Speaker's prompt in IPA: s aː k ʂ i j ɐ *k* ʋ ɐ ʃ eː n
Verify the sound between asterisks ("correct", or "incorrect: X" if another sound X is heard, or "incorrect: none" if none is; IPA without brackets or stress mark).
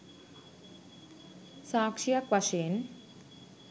correct